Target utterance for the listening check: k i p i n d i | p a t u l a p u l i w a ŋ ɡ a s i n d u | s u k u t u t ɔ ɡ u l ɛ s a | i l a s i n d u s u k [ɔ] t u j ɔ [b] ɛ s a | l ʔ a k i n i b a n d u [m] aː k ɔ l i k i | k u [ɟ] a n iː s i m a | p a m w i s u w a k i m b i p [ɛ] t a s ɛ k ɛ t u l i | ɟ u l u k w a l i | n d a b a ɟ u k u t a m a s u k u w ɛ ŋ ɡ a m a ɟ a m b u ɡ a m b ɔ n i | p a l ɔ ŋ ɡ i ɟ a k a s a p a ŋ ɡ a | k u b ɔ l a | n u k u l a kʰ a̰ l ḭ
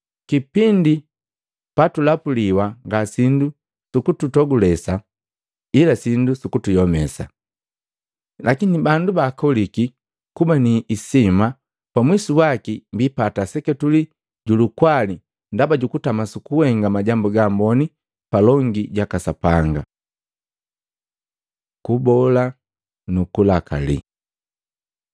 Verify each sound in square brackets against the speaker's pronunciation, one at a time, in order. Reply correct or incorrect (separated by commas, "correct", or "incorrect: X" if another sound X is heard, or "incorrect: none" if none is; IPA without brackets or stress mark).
incorrect: u, incorrect: m, incorrect: b, incorrect: b, incorrect: a